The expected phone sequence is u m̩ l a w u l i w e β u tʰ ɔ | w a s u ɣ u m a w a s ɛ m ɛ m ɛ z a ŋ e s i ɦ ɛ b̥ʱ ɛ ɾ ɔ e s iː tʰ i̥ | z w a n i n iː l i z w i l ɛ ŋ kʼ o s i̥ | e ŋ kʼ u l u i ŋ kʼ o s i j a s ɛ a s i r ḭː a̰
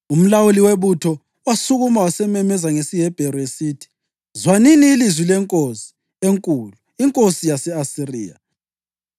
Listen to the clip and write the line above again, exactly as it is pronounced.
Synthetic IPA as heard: u m̩ l a w u l i w e β u tʰ ɔ | w a s u ɣ u m a w a s ɛ m ɛ m ɛ z a ŋ e s i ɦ ɛ b̥ʱ ɛ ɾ ɔ e s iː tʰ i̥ | z w a n i n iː l i z w i l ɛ ŋ kʼ o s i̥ | e ŋ kʼ u l u i ŋ kʼ o s i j a s ɛ a s i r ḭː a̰